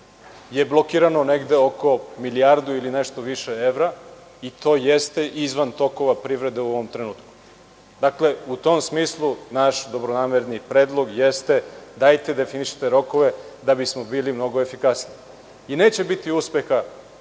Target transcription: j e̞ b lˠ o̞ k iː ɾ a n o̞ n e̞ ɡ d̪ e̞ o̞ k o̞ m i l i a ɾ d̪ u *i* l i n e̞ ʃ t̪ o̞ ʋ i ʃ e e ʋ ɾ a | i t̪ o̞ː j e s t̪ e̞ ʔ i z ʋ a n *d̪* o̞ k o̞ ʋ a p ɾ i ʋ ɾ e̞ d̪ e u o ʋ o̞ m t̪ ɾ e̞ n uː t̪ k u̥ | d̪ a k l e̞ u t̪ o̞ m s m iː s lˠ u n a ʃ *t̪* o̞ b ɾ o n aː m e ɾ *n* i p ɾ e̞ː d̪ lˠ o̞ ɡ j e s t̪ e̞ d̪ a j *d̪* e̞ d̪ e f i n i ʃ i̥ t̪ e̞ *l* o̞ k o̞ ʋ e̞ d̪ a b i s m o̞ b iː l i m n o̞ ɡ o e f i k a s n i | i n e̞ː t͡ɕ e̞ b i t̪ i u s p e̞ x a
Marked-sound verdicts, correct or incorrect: correct, incorrect: t̪, incorrect: d̪, correct, incorrect: t̪, incorrect: ɾ

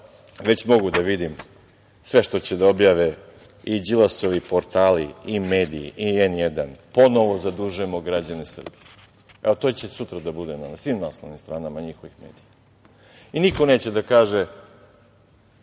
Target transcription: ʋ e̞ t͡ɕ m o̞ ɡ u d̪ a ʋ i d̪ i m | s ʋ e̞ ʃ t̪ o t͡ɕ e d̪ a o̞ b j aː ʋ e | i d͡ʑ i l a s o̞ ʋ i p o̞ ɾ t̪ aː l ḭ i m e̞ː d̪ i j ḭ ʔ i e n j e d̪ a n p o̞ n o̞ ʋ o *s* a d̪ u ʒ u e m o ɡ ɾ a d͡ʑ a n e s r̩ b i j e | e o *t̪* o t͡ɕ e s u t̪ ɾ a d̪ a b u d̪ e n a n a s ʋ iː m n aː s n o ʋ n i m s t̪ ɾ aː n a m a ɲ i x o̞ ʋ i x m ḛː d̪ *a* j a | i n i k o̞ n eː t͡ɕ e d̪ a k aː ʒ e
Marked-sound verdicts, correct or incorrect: incorrect: z, correct, incorrect: i

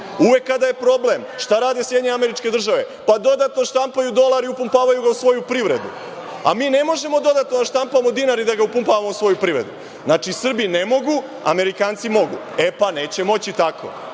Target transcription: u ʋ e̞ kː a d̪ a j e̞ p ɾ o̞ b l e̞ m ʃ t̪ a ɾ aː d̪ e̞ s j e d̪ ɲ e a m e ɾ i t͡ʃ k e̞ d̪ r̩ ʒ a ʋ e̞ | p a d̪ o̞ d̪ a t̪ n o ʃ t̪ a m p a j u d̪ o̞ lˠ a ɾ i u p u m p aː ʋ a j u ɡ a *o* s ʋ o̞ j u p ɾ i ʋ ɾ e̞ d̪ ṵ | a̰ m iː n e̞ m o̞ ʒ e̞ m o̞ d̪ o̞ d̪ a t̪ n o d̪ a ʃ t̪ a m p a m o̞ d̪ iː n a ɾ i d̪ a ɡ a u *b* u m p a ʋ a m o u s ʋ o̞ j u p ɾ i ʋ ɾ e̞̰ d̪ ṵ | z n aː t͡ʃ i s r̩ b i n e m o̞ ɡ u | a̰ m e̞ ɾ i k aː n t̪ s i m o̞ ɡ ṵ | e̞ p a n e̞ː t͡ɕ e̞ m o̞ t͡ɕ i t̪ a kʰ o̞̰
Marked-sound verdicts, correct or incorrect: incorrect: u, incorrect: p

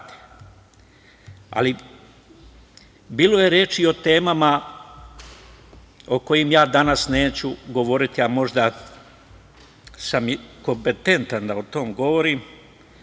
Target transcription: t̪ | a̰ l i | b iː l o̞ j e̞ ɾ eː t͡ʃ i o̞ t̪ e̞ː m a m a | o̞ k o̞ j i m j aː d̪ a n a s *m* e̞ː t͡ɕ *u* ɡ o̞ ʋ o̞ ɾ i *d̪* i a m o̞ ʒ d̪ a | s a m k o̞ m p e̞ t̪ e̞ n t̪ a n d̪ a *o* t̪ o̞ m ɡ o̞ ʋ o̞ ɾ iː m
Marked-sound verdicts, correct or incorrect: incorrect: n, correct, incorrect: t̪, correct

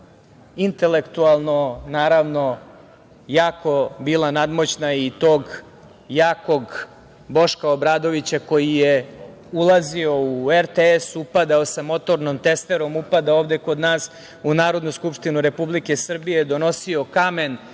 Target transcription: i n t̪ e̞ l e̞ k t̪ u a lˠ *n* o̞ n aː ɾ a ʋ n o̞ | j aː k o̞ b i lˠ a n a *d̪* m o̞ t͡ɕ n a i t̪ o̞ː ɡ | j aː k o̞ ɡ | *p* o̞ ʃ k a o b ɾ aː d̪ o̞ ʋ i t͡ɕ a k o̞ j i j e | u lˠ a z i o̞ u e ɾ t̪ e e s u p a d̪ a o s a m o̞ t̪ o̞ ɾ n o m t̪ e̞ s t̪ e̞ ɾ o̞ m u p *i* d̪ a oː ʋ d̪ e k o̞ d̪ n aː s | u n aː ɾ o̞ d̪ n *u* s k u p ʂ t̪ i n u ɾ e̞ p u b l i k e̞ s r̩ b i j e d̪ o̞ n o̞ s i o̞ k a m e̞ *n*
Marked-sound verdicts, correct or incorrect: correct, correct, incorrect: b, incorrect: a, correct, correct

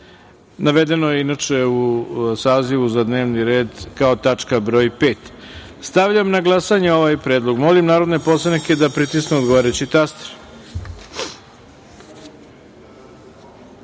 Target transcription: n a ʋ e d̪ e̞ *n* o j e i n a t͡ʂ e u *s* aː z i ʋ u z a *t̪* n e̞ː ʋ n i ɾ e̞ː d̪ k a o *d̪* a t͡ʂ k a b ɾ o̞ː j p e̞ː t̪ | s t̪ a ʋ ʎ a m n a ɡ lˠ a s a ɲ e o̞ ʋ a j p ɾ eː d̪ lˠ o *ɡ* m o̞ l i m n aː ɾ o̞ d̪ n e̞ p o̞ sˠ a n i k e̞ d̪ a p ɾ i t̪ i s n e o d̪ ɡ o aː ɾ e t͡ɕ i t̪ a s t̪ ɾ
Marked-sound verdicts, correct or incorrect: correct, correct, incorrect: d̪, incorrect: t̪, correct

